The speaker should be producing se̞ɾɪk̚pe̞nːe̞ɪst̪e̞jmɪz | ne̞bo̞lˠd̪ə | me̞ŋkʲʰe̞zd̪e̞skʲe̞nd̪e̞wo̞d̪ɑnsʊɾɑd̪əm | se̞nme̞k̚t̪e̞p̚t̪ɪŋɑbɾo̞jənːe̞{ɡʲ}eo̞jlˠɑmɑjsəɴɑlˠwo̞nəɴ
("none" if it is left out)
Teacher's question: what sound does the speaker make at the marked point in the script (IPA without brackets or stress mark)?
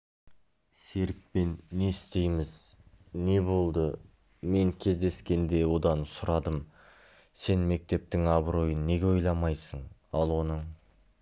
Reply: ɡʲ